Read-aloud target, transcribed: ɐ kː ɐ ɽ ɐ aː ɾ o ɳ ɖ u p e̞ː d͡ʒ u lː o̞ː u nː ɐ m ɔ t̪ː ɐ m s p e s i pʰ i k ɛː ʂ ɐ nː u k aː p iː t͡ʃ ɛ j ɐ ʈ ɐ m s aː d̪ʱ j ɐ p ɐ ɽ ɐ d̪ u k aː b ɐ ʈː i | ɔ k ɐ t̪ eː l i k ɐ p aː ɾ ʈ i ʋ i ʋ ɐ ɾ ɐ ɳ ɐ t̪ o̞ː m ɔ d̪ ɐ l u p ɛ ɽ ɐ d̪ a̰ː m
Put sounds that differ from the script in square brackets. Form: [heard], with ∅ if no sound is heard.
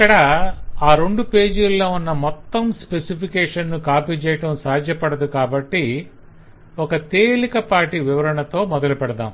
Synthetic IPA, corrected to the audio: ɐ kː ɐ ɽ ɐ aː ɾ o ɳ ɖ u p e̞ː d͡ʒ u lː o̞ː u nː ɐ m ɔ t̪ː ɐ m s p e s i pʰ i k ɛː ʂ ɐ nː u k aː p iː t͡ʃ ɛ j ɐ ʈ ɐ m s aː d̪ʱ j ɐ p ɐ ɽ ɐ d̪ u k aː b ɐ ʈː i | ɔ k ɐ t̪ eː l i k ɐ p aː ɾ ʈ i ʋ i ʋ ɐ ɾ ɐ ɳ ɐ t̪ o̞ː m ɔ d̪ ɐ l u p ɛ ɽ ɐ d̪ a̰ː m